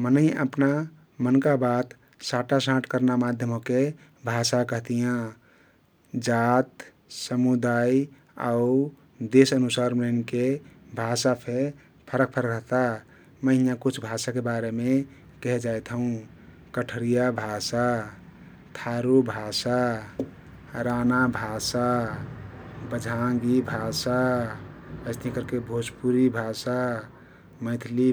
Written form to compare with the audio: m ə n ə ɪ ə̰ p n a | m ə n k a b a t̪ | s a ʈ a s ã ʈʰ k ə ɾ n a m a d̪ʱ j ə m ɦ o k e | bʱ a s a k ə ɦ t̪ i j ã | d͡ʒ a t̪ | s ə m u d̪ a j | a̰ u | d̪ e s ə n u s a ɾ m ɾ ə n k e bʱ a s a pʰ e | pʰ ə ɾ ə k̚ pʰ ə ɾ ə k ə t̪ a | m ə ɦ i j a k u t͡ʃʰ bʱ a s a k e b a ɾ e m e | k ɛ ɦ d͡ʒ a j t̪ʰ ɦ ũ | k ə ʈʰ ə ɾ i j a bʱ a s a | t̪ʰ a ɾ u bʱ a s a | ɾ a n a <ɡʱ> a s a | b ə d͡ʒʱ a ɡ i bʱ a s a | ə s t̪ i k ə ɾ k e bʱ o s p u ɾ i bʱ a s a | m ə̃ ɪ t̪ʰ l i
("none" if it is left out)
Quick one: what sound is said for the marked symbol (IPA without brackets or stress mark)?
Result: bʱ